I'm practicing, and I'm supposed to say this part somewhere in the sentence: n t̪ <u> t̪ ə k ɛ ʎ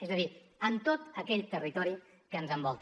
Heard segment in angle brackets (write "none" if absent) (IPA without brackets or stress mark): o